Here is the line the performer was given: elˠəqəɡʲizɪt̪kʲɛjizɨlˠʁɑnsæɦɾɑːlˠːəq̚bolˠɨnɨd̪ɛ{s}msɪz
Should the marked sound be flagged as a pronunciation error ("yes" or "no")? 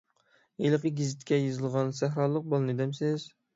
yes